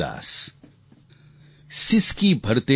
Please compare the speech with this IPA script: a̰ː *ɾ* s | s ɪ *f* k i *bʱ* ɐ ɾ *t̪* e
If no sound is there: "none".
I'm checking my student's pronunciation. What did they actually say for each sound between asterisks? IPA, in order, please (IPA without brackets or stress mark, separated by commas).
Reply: none, s, bʱ, t̪